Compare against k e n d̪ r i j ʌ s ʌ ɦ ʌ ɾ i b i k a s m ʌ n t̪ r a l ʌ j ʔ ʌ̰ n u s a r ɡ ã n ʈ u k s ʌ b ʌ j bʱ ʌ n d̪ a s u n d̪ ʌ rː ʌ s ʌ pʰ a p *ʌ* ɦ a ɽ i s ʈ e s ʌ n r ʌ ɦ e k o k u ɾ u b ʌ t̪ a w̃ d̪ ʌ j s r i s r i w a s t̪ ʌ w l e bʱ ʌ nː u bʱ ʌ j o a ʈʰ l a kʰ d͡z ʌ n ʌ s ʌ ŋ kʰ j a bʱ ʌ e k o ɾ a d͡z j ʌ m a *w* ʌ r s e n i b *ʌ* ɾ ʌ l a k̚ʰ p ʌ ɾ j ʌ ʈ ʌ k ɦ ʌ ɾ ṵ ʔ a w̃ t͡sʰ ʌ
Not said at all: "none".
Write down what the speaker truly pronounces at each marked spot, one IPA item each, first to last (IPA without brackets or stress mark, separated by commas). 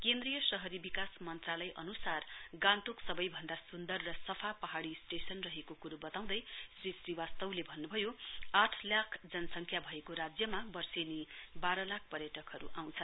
ʌ, b, a